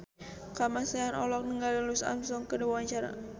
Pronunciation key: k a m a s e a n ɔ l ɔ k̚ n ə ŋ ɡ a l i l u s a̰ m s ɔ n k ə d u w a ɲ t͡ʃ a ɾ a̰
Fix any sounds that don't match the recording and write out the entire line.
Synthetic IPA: k a m a s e a n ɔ l ɔ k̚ n ə ŋ ɡ a l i l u s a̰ m s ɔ ŋ k ə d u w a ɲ t͡ʃ a ɾ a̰